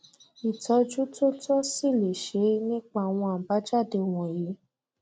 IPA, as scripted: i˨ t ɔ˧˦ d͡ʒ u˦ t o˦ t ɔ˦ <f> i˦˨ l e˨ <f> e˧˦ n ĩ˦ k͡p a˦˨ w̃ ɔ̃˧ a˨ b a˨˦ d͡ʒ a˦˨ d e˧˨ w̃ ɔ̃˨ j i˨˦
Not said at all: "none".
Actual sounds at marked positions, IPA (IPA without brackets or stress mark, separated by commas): s, ʃ